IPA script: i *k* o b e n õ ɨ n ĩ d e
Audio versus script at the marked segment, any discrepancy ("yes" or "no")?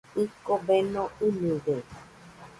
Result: no